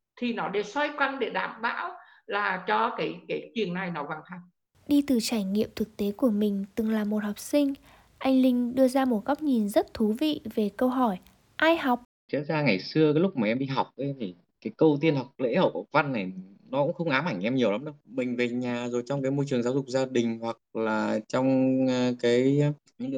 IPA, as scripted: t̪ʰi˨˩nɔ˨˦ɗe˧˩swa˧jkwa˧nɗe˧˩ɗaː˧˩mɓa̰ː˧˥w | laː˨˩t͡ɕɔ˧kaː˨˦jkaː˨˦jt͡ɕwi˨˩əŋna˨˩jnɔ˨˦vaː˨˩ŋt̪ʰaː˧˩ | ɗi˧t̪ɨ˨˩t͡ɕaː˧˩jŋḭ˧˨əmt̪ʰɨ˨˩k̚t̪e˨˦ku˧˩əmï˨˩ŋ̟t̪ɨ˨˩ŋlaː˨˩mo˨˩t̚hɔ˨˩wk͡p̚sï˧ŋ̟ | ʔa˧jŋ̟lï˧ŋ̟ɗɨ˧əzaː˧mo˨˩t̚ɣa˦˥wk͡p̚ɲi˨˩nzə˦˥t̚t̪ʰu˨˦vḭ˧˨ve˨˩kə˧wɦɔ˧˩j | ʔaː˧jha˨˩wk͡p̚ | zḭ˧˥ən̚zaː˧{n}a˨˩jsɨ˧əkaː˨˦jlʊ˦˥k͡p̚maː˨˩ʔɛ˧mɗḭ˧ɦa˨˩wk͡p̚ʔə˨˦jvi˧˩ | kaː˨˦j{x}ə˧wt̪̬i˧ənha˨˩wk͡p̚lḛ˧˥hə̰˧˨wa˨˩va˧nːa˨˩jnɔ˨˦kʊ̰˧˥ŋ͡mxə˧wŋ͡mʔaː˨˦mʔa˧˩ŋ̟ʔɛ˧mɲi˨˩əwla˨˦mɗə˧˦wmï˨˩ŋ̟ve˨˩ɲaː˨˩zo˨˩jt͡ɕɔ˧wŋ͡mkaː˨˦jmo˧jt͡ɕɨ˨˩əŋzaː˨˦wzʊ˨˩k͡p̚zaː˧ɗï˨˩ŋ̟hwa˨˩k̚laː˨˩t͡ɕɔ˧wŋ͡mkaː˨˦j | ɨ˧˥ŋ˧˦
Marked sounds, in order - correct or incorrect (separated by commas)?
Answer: incorrect, incorrect